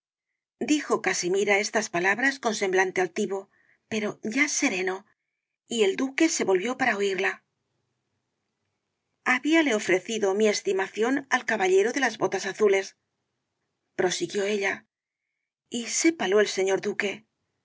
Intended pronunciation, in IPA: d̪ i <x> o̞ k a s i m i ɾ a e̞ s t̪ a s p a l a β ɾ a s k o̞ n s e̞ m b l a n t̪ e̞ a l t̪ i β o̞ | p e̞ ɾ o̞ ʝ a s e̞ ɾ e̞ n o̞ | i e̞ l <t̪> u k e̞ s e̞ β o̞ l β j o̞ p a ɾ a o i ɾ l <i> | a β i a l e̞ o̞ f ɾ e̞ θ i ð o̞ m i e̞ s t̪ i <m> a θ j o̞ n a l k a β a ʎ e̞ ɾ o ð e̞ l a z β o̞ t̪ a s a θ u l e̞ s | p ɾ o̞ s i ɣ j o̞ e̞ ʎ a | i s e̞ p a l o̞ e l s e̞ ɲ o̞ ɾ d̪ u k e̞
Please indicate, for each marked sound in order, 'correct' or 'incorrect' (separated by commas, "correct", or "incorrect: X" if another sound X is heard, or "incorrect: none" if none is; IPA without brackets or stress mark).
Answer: correct, incorrect: d̪, incorrect: a, correct